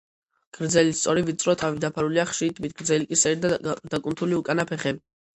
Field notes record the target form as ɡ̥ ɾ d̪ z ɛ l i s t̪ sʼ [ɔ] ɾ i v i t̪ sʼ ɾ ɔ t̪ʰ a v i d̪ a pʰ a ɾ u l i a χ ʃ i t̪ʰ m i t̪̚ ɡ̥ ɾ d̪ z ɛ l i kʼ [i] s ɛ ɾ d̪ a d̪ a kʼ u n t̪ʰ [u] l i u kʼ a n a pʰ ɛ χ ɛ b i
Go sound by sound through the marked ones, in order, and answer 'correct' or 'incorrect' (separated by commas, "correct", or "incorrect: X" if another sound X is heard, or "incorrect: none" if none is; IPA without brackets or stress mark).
correct, correct, correct